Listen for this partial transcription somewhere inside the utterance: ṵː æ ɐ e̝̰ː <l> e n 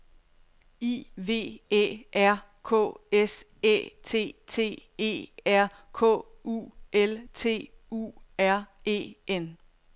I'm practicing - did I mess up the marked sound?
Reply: yes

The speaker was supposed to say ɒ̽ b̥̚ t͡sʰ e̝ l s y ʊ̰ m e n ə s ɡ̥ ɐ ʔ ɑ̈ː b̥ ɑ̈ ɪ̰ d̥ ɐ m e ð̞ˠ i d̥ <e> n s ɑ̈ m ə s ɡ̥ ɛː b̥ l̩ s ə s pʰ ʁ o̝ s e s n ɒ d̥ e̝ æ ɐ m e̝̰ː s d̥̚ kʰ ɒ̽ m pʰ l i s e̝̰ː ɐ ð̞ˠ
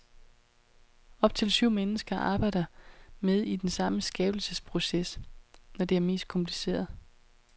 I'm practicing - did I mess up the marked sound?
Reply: no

